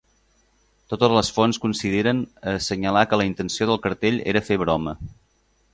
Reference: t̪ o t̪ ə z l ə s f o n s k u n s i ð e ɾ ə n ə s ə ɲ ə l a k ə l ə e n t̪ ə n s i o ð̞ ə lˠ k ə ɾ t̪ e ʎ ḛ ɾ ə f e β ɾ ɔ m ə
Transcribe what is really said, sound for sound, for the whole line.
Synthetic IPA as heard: t̪ o t̪ ə z l ə s f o n s k u n s i ð e ɾ ə n ə s ə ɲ ə l a k ə l ə i n t̪ ə n s i o ð̞ ə lˠ k ə ɾ t̪ e ʎ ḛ ɾ ə f e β ɾ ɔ m ə